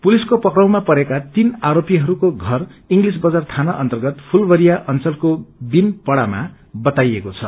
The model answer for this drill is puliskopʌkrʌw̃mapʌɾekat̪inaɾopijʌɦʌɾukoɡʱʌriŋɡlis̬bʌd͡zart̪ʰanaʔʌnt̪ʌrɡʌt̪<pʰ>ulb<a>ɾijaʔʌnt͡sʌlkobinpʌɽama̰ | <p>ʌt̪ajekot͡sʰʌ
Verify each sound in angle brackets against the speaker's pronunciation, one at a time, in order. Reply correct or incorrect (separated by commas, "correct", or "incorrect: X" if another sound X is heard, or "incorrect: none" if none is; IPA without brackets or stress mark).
correct, incorrect: ʌ, incorrect: b